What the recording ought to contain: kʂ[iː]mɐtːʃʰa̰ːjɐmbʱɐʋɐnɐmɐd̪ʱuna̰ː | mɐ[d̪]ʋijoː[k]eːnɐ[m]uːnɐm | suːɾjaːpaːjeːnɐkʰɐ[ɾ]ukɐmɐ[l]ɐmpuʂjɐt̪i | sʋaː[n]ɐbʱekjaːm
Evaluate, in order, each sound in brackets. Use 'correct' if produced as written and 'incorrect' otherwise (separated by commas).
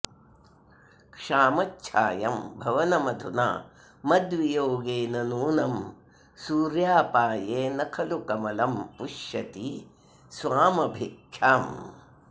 incorrect, correct, incorrect, incorrect, incorrect, correct, incorrect